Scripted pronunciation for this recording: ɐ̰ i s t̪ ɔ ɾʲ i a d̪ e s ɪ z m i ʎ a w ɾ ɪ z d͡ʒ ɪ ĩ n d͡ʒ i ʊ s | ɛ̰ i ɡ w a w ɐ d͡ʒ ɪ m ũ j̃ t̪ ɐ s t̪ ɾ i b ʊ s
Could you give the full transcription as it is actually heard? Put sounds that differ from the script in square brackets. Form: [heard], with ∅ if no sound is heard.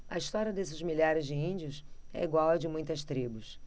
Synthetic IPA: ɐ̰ i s t̪ ɔ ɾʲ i [ɐ] d̪ e s ɪ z m i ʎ a [∅] ɾ ɪ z d͡ʒ ɪ ĩ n d͡ʒ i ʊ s | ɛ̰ i ɡ w a w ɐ d͡ʒ ɪ m ũ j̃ t̪ ɐ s t̪ ɾ i b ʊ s